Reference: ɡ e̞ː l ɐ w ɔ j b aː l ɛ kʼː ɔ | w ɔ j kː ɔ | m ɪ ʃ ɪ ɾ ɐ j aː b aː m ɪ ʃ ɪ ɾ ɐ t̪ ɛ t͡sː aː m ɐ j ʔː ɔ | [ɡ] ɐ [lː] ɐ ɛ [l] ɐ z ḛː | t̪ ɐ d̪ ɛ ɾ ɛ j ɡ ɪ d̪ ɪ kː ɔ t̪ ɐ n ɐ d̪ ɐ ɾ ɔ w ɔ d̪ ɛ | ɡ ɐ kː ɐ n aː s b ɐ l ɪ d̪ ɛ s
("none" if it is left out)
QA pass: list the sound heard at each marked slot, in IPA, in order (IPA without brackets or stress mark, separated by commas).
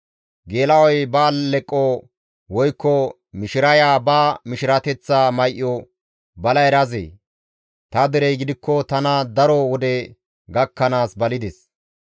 b, l, ɾ